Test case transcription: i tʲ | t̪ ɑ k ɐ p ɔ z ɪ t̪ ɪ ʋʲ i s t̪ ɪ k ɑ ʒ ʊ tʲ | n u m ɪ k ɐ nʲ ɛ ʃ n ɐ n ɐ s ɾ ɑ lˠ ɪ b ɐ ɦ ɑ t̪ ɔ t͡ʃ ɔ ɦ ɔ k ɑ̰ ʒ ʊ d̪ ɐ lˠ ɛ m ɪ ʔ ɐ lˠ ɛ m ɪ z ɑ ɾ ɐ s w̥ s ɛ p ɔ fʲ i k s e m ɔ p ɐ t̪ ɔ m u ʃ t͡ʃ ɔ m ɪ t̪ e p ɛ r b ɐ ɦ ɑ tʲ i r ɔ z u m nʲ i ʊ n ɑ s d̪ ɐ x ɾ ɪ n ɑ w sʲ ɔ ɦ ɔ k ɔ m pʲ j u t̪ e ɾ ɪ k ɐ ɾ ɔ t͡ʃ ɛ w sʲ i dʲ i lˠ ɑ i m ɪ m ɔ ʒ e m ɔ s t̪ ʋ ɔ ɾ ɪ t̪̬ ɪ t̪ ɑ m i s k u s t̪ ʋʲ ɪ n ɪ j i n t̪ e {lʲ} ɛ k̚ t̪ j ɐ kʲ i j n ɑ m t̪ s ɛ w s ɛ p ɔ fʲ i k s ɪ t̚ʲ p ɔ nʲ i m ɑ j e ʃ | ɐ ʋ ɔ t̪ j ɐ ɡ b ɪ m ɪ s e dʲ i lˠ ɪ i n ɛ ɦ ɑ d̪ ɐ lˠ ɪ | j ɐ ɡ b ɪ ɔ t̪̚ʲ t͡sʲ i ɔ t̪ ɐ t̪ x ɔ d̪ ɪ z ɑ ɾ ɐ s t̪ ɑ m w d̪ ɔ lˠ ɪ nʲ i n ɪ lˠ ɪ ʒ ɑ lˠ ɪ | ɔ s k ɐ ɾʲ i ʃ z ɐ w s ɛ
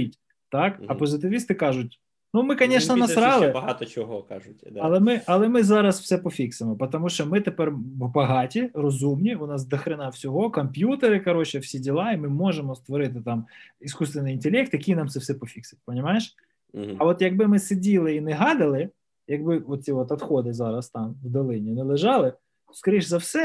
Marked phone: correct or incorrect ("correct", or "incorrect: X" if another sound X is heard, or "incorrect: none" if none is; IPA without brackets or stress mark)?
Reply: correct